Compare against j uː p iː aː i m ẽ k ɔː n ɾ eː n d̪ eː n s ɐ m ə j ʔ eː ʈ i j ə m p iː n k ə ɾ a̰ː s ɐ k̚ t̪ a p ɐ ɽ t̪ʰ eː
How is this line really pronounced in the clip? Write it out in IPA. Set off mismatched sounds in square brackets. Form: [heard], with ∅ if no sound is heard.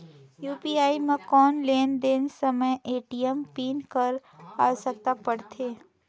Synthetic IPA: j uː p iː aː i m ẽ k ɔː n [l] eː n d̪ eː n s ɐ m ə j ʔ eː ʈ i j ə m p iː n k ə ɾ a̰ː s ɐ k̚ t̪ a p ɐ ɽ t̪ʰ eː